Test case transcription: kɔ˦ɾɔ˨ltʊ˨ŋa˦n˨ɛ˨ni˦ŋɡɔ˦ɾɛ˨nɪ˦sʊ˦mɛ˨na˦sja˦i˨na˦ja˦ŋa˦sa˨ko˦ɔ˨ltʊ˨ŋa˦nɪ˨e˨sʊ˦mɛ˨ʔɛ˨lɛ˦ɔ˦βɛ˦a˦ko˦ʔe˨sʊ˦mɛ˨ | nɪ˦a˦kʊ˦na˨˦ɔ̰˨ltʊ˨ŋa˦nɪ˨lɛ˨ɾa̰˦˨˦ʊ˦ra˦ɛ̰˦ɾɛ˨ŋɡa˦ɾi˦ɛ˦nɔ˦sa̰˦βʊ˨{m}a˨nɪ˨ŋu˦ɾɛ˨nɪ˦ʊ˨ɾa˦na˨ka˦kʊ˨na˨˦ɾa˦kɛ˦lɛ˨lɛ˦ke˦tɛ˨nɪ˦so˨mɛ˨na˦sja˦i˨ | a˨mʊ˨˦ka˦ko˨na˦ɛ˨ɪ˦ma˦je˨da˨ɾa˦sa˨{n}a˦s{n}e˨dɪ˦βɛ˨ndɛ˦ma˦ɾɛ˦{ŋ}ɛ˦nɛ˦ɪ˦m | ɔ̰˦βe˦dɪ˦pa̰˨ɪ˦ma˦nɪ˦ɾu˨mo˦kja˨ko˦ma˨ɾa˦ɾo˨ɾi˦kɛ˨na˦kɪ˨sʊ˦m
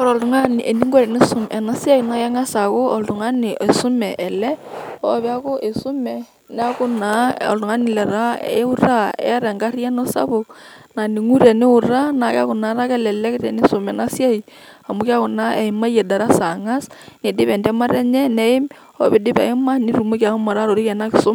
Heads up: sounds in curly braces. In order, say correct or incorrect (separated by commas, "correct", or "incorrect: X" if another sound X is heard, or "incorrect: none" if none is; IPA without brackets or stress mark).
incorrect: n, incorrect: ŋ, correct, incorrect: ɲ